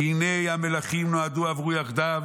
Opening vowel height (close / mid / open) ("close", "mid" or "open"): close